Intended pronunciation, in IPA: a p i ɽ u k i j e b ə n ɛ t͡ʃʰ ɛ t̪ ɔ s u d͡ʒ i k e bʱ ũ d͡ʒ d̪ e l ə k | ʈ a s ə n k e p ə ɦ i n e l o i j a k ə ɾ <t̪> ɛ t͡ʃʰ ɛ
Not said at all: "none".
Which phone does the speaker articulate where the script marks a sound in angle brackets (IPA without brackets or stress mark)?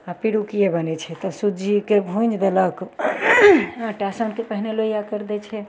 d̪